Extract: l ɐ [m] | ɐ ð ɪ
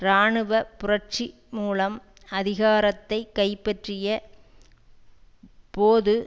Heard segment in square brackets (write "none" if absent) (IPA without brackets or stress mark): m